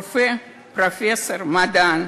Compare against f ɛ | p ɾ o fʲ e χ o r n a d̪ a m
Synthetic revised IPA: f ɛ | p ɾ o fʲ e s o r m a d̪ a n